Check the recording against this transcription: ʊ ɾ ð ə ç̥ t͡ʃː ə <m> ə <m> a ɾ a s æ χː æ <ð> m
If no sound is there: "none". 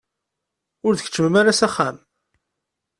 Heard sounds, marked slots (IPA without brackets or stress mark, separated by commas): m, m, none